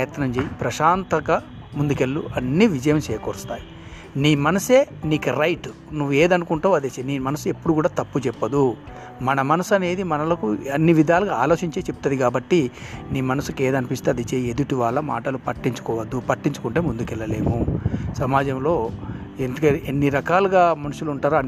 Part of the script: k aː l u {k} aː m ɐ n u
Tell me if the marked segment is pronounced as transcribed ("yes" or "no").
no